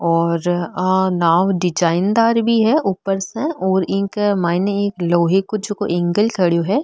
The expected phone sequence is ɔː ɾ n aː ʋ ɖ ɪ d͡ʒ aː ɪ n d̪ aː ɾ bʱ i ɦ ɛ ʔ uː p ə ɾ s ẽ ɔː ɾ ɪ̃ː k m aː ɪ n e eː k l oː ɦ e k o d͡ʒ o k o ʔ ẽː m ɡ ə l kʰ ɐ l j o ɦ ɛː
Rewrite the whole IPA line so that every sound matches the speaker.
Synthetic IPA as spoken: ɔː ɾ n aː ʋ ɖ ɪ d͡ʒ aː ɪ n d̪ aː ɾ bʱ i ɦ ɛ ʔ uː p ə ɾ s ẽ ɔː ɾ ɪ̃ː k m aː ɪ n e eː k l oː ɦ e k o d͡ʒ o k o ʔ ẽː ŋ ɡ ə l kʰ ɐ ɽ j o ɦ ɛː